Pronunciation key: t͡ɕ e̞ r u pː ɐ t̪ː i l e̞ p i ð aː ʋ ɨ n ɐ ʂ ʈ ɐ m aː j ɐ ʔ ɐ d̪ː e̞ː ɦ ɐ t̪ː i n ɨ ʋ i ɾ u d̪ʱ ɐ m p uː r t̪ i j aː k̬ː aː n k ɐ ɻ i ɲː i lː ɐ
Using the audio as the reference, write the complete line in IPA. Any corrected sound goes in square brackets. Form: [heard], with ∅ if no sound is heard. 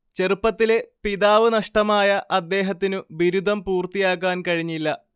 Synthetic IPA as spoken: t͡ɕ e̞ r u pː ɐ t̪ː i l e̞ p i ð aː ʋ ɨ n ɐ ʂ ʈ ɐ m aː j ɐ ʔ ɐ d̪ː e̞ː ɦ ɐ t̪ː i n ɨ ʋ i ɾ u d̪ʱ ɐ m p uː r t̪ i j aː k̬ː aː n k ɐ ɻ i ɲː i lː ɐ